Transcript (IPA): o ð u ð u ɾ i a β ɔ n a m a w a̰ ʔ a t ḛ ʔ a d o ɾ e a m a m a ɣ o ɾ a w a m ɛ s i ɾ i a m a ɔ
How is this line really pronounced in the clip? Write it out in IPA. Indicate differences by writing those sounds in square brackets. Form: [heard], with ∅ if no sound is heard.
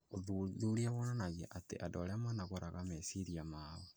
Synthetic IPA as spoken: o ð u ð u ɾ i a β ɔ n a [n] a [ɣ] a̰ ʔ a t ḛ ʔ a d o ɾ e a m a [n] a ɣ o ɾ a [ɣ] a m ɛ s i ɾ i a m a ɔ